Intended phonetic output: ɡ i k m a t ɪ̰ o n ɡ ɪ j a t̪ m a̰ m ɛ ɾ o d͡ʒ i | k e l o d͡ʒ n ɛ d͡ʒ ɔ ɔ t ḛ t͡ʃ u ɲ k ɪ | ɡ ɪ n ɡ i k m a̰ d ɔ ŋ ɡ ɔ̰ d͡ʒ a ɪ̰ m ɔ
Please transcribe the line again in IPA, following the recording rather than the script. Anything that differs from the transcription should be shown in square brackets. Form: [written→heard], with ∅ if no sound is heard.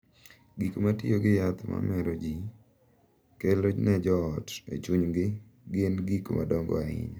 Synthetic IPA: ɡ i k m a t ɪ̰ o [n→∅] ɡ ɪ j a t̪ m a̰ m ɛ ɾ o d͡ʒ i | k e l o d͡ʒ n ɛ d͡ʒ ɔ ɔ t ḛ t͡ʃ u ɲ [k→ɡ] ɪ | ɡ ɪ n ɡ i k m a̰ d ɔ ŋ ɡ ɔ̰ [d͡ʒ→∅] a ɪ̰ [m→ɲ] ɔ